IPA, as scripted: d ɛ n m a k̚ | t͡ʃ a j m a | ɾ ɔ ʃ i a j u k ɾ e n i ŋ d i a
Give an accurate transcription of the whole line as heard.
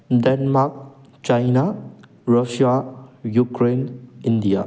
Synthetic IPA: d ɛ n m a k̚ | t͡ʃ a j n a | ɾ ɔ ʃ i a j u k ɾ e n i n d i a